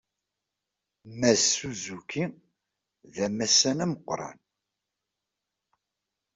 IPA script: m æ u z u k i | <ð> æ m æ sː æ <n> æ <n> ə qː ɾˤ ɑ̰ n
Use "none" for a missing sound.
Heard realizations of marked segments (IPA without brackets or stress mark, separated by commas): ð, n, m